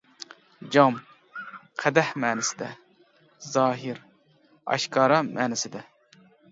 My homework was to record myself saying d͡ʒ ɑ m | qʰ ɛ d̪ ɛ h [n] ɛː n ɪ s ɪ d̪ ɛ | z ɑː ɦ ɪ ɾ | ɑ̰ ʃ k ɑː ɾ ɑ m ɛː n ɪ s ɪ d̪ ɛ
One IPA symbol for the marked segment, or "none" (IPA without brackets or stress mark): m